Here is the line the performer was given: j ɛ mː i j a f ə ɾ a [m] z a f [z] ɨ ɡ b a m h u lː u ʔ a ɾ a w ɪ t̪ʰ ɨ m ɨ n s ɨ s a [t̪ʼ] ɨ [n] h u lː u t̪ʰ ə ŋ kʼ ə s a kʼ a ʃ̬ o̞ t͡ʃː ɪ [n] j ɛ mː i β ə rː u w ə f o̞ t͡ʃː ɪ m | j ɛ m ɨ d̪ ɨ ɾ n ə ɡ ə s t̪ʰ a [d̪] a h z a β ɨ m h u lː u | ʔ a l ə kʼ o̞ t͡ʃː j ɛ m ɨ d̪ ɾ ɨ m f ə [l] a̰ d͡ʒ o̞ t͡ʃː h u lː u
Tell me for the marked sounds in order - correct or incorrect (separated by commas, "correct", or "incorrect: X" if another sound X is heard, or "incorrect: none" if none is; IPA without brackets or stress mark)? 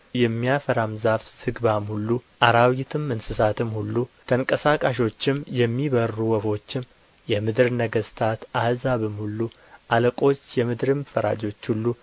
correct, incorrect: s, incorrect: t̪, incorrect: m, incorrect: m, incorrect: t̪, incorrect: ɾ